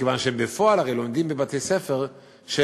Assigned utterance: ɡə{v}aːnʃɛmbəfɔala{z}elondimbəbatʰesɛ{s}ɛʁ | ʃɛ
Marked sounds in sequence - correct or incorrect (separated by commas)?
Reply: correct, incorrect, incorrect